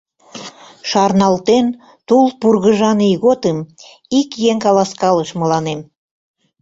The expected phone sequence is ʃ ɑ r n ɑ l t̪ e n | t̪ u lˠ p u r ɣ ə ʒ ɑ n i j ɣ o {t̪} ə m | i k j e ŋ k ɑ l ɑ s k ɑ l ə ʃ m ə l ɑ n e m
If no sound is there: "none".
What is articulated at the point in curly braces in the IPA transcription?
t̪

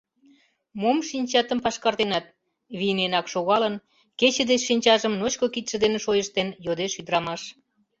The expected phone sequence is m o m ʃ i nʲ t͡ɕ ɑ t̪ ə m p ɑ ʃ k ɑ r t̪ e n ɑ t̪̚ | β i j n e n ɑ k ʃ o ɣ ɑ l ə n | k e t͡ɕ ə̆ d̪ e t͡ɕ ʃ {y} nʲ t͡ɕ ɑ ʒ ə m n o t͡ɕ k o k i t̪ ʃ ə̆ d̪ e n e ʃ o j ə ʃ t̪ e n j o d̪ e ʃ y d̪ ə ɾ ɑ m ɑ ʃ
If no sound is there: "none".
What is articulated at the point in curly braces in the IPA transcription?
i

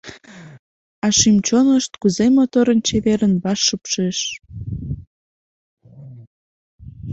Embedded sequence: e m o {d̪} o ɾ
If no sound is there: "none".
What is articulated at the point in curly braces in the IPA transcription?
t̪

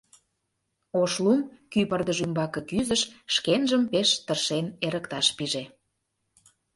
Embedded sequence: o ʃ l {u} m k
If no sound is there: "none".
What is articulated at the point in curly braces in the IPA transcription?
u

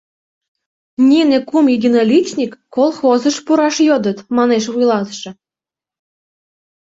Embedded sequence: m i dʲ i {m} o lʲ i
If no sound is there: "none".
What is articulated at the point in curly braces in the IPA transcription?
n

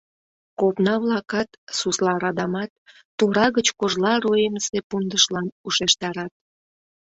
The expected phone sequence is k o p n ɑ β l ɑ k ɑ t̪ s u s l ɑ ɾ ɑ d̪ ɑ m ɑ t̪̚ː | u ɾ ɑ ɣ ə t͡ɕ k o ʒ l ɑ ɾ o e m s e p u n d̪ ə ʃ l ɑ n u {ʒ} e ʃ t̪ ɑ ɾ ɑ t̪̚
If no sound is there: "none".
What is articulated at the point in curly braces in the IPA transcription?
ʃ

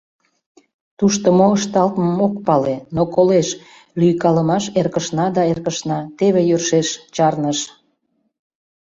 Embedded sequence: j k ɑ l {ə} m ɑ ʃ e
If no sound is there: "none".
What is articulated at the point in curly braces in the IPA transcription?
ə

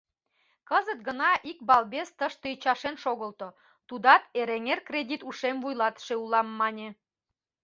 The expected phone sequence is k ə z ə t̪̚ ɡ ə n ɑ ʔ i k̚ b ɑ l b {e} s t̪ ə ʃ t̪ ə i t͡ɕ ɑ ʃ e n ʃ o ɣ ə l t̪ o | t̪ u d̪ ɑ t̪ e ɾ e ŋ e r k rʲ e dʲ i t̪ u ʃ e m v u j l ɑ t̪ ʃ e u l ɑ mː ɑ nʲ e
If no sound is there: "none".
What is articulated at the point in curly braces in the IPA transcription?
e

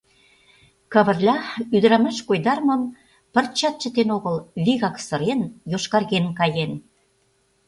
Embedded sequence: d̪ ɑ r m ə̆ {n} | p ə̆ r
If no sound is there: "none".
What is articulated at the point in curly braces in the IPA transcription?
m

